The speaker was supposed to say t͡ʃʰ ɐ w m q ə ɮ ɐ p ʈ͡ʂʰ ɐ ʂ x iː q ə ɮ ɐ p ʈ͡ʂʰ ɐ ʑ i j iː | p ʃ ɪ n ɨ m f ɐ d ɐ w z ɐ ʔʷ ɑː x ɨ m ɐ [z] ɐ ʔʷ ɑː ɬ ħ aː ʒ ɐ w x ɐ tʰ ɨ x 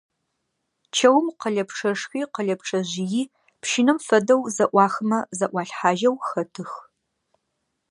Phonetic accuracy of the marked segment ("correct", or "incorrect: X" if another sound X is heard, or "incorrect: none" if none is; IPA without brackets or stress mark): correct